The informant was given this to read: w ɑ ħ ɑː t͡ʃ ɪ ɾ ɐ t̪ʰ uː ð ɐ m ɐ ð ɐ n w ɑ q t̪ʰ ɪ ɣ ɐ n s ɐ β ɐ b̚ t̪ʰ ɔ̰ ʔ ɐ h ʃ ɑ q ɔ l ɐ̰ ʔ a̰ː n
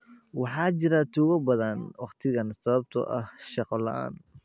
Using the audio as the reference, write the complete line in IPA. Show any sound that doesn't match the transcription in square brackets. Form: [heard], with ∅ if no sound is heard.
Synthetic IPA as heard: w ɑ ħ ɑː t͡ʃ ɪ ɾ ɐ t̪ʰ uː [ɣ] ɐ [b] ɐ ð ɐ n w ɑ q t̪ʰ ɪ ɣ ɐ n s ɐ β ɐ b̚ t̪ʰ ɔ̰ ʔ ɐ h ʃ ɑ q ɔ l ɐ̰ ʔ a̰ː n